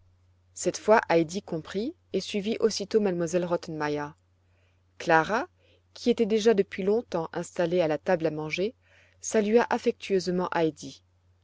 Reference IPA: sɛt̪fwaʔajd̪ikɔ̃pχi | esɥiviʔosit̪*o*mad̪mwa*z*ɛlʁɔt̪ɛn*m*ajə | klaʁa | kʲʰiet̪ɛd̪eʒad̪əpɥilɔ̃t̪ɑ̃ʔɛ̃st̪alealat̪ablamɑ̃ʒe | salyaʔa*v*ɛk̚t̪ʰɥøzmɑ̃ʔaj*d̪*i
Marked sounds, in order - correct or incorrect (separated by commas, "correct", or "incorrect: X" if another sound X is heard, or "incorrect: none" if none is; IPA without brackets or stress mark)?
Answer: correct, correct, correct, incorrect: f, correct